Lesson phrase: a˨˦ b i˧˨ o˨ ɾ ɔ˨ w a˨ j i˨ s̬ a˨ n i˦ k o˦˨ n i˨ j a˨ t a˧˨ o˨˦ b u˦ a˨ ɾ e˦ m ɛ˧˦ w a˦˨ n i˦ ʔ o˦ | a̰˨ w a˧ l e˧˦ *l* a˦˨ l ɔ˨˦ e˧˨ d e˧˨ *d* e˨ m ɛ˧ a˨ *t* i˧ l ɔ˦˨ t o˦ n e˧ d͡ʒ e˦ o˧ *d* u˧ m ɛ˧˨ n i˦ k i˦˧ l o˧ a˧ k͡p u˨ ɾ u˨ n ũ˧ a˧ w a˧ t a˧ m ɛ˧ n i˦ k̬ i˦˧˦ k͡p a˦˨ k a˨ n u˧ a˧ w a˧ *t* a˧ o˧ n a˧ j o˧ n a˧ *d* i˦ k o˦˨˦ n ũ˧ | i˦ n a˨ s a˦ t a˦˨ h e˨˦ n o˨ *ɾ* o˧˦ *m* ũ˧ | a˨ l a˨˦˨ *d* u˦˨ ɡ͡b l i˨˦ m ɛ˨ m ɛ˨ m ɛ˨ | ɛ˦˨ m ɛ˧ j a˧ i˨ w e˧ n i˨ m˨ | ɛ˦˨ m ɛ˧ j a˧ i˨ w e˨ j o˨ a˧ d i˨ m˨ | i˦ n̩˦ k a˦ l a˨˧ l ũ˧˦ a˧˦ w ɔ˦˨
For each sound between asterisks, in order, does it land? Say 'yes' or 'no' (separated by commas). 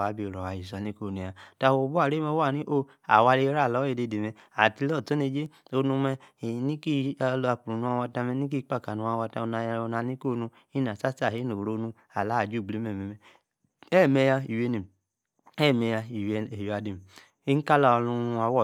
no, yes, yes, no, yes, no, yes, no, no